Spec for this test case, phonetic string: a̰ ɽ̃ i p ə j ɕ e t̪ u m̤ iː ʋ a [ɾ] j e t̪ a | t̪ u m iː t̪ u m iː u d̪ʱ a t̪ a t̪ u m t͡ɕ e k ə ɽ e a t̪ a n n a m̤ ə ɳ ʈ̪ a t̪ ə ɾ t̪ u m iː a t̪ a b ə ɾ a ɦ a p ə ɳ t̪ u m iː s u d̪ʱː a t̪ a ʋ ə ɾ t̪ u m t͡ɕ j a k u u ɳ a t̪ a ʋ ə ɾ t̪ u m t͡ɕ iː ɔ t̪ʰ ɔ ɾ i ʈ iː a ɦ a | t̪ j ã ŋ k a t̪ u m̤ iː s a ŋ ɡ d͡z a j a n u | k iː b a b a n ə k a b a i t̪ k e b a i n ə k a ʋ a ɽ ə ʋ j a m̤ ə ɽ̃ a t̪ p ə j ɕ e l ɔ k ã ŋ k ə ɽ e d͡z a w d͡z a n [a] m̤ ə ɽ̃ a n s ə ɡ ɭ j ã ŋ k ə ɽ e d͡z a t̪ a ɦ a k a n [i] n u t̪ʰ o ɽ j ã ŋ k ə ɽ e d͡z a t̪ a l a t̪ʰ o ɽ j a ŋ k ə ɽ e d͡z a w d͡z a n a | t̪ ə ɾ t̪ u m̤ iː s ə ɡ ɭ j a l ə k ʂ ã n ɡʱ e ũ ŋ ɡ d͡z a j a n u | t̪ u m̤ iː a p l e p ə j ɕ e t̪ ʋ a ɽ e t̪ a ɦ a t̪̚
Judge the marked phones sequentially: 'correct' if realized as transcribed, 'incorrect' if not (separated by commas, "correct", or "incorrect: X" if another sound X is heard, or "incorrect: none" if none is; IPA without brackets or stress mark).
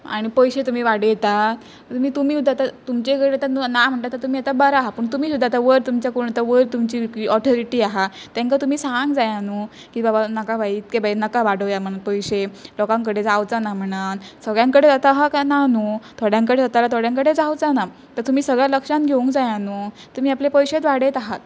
incorrect: ɽ, correct, incorrect: a